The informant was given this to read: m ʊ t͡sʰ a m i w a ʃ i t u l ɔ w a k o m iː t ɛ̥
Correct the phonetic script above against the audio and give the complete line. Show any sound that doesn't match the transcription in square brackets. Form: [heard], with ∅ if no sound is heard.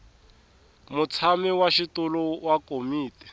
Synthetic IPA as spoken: m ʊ t͡sʰ a m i w a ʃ i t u l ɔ w a k o m iː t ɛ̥